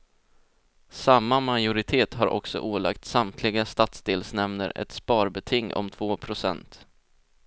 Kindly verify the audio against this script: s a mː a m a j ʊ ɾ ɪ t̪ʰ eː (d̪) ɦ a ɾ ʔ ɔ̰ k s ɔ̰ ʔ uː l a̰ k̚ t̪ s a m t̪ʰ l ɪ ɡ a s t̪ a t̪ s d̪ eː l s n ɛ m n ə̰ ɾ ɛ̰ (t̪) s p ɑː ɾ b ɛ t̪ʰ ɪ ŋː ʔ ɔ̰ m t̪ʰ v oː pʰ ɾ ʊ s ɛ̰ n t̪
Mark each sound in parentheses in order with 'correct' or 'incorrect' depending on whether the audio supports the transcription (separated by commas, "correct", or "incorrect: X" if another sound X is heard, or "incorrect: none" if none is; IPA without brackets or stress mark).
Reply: incorrect: t̪, correct